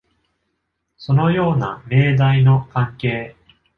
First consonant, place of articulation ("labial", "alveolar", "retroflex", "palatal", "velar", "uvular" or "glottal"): alveolar